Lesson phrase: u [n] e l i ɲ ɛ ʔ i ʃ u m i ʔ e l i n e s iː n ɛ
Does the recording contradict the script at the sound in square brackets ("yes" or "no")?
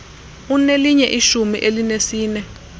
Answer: no